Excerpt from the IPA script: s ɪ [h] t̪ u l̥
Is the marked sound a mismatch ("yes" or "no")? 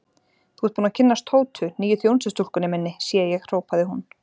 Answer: yes